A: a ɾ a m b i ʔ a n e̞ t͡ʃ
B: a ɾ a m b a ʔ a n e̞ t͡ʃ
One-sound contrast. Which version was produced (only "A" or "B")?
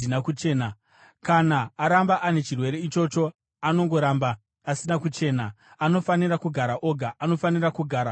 B